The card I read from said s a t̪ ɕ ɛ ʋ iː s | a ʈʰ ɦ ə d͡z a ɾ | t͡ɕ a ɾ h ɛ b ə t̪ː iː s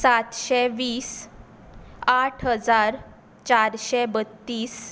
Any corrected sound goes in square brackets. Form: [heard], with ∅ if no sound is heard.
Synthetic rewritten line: s a t̪ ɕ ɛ ʋ iː s | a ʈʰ ɦ ə d͡z a ɾ | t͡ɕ a ɾ [ɕ] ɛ b ə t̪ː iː s

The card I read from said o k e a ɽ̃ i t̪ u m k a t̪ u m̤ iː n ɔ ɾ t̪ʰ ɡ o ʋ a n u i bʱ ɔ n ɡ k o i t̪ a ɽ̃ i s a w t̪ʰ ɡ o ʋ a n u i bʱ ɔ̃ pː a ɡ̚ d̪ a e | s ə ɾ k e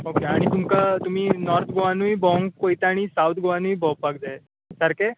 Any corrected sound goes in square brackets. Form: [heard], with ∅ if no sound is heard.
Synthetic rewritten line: o k e a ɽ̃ i t̪ u m k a t̪ u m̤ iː n ɔ ɾ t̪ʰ ɡ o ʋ a n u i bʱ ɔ [ŋ] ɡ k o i t̪ a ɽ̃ i s a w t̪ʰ ɡ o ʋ a n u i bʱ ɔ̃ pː a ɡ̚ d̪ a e | s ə ɾ k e

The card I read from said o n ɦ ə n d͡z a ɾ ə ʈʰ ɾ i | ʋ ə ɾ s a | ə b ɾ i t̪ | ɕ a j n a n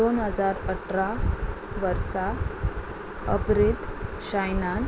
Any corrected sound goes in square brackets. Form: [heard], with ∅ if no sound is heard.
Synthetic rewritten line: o n ɦ ə [∅] d͡z a ɾ ə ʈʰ ɾ [a] | ʋ ə ɾ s a | ə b ɾ i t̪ | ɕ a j n a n

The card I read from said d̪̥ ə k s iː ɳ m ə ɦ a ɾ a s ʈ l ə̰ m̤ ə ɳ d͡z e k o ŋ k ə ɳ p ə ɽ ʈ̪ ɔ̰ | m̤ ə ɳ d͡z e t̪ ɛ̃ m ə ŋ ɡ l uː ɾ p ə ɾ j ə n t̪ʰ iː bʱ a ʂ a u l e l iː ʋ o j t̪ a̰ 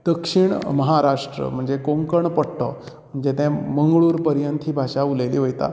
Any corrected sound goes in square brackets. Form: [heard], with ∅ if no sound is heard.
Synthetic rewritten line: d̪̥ ə k [ʂ] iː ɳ m ə ɦ a ɾ a [ʂ] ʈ [ɾ] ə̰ m̤ ə ɳ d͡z e k o ŋ k ə ɳ p ə ɽ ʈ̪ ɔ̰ | m̤ ə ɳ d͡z e t̪ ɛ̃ m ə ŋ ɡ [ɭ] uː ɾ p ə ɾ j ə n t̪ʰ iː bʱ a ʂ a u l e l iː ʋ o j t̪ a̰

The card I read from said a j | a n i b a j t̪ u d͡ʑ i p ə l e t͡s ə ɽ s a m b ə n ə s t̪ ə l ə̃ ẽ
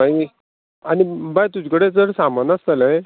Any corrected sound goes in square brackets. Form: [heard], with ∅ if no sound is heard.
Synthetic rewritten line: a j | a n i b a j t̪ u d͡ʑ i [k] ə [ɽ] e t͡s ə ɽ s a m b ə n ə s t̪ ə l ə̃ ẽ

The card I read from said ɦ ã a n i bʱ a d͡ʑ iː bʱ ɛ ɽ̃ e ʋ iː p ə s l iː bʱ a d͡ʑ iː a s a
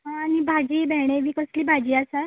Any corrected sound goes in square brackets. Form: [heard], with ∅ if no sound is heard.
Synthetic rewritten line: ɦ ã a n i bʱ a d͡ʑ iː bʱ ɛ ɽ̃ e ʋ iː [k] ə s l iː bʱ a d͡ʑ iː a s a

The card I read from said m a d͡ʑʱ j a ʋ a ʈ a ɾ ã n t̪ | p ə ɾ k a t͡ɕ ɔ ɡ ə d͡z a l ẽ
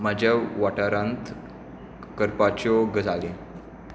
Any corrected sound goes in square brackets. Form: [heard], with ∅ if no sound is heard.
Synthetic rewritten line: m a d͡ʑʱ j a ʋ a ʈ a ɾ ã n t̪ | [k] ə ɾ [p] a t͡ɕ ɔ ɡ ə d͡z a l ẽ

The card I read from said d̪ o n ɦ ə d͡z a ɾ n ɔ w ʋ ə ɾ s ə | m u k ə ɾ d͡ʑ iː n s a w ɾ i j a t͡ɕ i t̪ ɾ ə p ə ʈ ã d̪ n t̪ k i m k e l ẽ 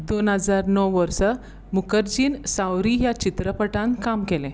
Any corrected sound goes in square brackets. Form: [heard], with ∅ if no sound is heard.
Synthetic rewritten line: d̪ o n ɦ ə d͡z a ɾ n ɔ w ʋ ə ɾ s ə | m u k ə ɾ d͡ʑ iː n s a w ɾ i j a t͡ɕ i t̪ ɾ ə p ə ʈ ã [∅] n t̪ k [a] m k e l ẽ

